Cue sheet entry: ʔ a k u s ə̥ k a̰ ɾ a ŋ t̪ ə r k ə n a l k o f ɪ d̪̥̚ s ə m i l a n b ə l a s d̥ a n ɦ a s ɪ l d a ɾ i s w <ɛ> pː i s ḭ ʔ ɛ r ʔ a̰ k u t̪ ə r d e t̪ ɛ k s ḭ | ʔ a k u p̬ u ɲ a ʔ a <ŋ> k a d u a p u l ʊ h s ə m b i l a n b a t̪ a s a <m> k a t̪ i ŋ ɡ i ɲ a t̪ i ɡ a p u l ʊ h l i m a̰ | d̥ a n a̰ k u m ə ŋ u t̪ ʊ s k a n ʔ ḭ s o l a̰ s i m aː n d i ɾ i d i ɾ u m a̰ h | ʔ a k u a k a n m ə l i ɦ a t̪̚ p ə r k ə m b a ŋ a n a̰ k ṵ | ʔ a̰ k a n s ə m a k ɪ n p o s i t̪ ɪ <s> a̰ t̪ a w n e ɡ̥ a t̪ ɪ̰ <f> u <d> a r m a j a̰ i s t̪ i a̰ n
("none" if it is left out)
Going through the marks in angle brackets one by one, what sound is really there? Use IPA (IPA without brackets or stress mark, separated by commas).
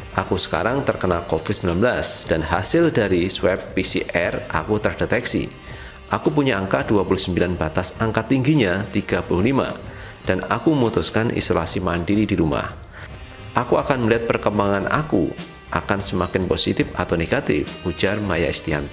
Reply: ɛ, ŋ, ŋ, f, f, d͡ʒ